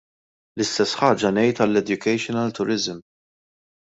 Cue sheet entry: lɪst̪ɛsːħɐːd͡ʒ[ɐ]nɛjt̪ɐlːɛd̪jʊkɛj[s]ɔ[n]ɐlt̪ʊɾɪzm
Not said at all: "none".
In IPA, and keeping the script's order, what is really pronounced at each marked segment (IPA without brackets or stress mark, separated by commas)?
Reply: ɐ, ʃ, n